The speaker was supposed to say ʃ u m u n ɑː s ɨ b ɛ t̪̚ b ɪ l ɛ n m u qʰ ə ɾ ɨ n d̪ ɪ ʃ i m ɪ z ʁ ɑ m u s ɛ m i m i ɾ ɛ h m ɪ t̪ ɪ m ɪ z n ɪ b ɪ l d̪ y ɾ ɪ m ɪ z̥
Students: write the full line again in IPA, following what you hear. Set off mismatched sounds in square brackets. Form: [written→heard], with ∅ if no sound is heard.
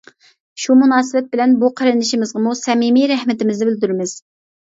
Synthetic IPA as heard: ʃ u m u n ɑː s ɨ b ɛ t̪̚ b ɪ l ɛ n [m→b] u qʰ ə ɾ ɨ n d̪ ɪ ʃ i m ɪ z ʁ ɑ m u s ɛ m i m i ɾ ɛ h m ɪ t̪ ɪ m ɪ z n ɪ b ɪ l d̪ y ɾ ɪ m ɪ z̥